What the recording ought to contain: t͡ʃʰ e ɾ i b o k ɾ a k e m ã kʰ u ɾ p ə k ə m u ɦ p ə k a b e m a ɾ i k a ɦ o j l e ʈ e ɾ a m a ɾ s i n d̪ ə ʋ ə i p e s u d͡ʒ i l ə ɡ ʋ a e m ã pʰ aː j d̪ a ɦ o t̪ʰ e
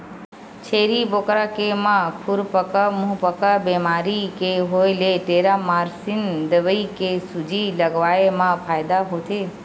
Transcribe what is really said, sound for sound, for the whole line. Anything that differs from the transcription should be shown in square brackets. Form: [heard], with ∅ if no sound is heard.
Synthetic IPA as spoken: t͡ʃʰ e ɾ i b o k ɾ a k e m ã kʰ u ɾ p ə k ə m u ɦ p ə k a b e m a ɾ i k [e] ɦ o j l e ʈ e ɾ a m a ɾ s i n d̪ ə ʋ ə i [k] e s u d͡ʒ i l ə ɡ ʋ a e m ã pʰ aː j d̪ a ɦ o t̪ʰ e